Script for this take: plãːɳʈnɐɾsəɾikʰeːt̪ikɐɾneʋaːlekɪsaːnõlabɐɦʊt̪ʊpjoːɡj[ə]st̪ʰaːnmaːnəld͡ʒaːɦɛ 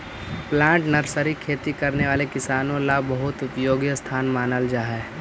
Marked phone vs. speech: correct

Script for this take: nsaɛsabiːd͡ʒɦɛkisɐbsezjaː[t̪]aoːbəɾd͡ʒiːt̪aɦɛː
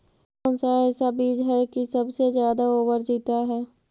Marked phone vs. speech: incorrect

